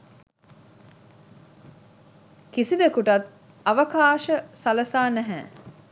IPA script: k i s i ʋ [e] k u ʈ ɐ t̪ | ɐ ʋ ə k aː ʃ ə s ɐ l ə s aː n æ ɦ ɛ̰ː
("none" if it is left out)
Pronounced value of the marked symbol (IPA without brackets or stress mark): e